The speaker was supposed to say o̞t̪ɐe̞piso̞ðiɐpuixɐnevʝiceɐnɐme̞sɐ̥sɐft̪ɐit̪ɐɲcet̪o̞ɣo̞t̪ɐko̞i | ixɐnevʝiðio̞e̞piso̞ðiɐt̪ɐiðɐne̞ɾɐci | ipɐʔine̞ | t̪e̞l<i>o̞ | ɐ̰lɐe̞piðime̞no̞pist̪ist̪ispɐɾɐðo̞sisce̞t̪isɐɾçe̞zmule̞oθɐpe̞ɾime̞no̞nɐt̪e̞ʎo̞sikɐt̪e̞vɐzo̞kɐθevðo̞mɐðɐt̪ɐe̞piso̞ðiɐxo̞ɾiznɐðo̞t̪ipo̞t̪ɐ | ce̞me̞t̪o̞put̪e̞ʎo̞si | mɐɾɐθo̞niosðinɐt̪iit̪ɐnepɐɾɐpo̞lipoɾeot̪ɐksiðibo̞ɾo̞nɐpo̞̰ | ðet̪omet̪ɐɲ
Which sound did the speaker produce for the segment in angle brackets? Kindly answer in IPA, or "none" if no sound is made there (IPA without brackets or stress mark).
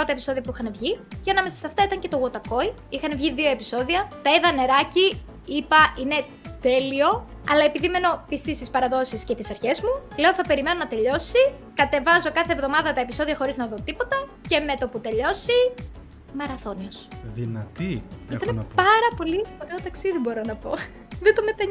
i